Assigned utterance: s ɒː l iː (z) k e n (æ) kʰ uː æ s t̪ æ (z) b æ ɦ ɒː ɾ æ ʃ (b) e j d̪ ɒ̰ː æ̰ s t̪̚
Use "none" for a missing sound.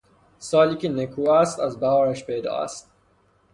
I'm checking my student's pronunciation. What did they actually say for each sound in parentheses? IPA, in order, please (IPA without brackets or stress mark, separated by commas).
none, e, z, p